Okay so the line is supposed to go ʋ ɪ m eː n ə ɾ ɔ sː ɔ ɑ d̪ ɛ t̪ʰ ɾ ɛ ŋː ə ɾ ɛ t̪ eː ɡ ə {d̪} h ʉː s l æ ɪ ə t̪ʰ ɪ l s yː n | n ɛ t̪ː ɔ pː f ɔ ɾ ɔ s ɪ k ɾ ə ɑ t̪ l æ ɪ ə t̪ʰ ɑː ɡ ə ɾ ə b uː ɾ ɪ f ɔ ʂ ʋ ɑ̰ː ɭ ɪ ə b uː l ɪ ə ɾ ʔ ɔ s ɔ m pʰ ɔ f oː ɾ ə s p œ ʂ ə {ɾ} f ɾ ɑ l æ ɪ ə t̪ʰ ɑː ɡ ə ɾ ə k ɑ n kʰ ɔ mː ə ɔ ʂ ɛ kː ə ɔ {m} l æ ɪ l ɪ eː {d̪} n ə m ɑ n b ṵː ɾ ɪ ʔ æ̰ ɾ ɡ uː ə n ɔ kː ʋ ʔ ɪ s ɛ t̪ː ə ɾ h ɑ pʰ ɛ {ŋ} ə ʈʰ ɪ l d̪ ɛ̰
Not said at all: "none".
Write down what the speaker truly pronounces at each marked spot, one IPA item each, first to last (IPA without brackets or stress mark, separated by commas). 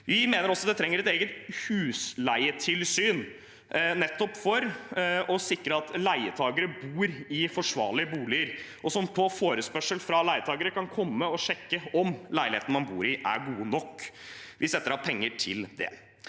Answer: t̪, l, m, t̪, ŋː